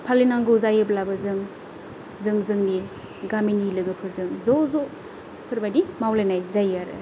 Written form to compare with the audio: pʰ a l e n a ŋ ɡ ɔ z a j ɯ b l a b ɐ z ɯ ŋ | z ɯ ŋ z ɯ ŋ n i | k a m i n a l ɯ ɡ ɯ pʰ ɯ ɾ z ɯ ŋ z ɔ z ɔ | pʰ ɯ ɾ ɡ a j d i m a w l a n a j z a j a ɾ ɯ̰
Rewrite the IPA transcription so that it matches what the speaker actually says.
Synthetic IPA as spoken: pʰ a l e n a ŋ ɡ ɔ z a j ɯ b l a b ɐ z ɯ ŋ | z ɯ ŋ z ɯ ŋ n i | ɡ a m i n i l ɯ ɡ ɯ pʰ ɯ ɾ z ɯ ŋ z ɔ z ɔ | pʰ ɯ ɾ b a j d i m a w l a n a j z a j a ɾ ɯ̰